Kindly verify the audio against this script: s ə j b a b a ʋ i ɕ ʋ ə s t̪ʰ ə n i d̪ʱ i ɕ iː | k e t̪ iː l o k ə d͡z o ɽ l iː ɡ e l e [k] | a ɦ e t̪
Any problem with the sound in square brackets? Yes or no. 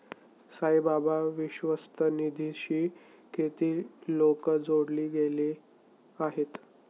yes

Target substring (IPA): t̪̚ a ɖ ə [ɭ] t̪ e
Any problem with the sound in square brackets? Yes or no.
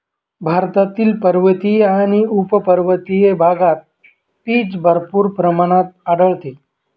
no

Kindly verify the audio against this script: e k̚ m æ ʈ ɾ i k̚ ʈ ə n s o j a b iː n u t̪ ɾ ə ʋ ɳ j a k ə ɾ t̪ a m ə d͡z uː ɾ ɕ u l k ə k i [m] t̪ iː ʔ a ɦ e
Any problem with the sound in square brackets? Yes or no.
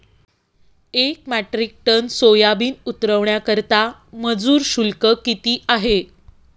yes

